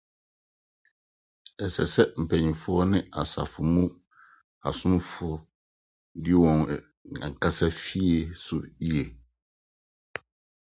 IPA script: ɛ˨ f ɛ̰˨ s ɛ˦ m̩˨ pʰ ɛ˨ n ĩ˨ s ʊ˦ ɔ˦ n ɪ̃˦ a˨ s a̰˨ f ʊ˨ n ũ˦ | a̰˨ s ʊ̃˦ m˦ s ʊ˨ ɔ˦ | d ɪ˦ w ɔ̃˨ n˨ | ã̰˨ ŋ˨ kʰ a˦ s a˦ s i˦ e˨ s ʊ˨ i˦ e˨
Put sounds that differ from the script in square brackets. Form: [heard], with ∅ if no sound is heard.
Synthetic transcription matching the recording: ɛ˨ [s] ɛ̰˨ s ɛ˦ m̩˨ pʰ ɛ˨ [ɲ] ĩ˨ [f] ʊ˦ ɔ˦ n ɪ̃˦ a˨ s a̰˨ f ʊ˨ [m] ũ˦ | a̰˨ s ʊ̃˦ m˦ [f] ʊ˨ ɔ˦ | d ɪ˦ w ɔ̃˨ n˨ | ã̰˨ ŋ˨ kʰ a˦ s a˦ [f] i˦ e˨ s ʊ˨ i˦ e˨